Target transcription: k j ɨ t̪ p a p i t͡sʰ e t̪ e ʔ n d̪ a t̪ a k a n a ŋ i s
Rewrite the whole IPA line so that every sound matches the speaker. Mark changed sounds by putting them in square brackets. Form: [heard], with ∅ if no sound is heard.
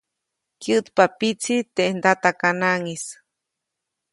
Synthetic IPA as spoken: k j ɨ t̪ p a p i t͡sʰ [i] t̪ e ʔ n d̪ a t̪ a k a n a ŋ i s